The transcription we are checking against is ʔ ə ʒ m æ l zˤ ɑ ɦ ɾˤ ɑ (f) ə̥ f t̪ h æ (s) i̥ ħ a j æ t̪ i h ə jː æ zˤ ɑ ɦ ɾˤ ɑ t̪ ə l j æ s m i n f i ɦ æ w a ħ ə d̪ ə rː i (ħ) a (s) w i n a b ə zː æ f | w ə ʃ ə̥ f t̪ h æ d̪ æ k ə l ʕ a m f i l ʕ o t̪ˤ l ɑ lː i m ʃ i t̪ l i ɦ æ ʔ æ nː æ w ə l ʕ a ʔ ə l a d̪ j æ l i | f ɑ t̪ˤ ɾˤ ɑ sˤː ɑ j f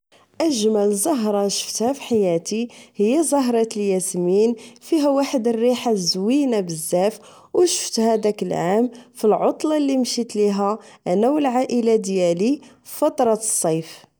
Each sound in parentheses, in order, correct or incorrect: incorrect, incorrect, correct, incorrect

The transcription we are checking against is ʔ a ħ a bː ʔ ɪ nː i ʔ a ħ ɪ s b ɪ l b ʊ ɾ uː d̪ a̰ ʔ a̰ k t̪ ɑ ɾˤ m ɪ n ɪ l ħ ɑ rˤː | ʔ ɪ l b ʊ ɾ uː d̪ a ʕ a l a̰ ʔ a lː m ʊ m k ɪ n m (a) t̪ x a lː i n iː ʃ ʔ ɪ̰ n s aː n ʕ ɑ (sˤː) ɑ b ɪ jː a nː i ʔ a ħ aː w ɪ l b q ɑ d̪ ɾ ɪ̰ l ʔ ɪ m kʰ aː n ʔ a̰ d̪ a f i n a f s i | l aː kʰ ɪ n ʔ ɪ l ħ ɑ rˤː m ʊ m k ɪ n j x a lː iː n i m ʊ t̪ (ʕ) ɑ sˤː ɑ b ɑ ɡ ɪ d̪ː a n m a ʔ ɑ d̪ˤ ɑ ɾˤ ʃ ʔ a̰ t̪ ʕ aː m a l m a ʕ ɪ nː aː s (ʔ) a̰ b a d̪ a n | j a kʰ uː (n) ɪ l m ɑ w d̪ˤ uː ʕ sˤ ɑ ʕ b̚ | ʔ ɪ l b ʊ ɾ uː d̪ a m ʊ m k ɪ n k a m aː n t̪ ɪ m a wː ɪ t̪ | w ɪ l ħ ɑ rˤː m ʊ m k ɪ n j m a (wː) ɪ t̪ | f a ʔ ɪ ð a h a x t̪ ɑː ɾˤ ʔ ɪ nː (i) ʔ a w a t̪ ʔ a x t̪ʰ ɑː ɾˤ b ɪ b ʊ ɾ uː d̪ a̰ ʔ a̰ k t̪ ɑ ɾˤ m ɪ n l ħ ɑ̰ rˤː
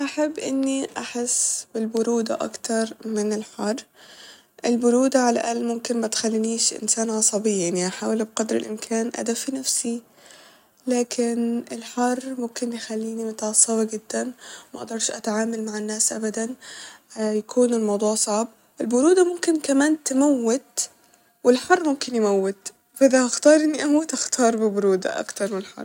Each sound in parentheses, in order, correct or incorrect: correct, incorrect, correct, correct, correct, correct, correct

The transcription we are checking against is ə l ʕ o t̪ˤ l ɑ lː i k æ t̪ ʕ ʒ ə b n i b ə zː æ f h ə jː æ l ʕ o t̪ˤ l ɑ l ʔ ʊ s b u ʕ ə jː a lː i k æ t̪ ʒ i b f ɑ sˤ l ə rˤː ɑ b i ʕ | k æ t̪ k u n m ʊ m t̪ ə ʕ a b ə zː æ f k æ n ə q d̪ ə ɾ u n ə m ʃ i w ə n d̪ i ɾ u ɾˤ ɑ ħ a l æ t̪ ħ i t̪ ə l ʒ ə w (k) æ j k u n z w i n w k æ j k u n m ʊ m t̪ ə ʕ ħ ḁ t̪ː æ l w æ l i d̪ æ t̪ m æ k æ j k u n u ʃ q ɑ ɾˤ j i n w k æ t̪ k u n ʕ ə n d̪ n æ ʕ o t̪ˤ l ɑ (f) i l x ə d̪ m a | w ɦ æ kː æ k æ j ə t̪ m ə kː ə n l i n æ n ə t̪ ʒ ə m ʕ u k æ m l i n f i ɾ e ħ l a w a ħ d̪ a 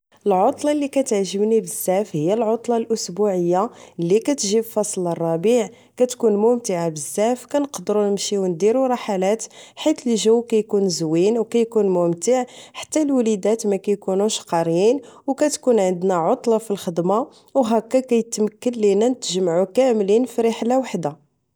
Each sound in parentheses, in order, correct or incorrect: correct, correct

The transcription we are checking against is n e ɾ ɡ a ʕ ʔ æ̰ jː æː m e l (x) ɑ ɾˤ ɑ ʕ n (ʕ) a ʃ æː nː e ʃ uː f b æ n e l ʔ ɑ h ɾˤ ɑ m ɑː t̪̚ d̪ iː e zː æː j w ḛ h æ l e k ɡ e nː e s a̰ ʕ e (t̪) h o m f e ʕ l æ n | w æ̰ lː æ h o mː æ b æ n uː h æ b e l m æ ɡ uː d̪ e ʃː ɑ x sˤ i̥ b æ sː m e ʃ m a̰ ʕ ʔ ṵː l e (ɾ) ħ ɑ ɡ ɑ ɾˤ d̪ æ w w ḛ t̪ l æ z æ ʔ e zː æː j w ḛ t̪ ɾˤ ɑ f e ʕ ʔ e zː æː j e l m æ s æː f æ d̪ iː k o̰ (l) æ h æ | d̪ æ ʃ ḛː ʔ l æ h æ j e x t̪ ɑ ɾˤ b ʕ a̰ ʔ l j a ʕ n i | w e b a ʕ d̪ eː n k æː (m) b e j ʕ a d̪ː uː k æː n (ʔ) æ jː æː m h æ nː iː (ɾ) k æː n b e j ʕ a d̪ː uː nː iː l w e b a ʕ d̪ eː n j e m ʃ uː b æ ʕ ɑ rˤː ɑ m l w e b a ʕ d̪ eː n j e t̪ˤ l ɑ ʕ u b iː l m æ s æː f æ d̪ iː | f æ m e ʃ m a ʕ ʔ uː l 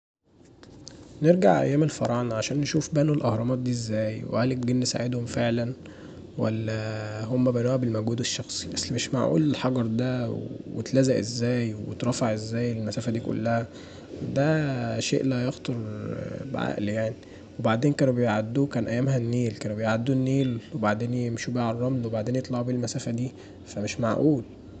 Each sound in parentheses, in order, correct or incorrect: incorrect, correct, incorrect, incorrect, incorrect, incorrect, correct, incorrect

